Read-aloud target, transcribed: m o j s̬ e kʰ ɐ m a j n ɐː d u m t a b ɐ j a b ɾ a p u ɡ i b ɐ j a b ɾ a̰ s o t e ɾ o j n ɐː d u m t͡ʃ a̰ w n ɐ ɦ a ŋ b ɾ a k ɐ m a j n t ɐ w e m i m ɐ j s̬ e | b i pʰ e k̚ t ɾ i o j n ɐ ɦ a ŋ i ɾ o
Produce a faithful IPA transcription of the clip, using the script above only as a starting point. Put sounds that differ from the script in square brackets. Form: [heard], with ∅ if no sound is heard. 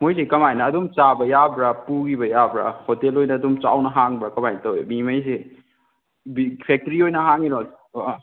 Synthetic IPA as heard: m o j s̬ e [k] ɐ m a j n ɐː d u m [t͡ʃ] a b ɐ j a b ɾ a p u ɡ i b ɐ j a b ɾ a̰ [h] o t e [l] o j n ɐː d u m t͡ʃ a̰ w n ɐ ɦ a ŋ b ɾ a k ɐ m a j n t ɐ w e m i m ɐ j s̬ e | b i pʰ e k̚ t ɾ i o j n ɐ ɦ a ŋ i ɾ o